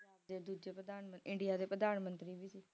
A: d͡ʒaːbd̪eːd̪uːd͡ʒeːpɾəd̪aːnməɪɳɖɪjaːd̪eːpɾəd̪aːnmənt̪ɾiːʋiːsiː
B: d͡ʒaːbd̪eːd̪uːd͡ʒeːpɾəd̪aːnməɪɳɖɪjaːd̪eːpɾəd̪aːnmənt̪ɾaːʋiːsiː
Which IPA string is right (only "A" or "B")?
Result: A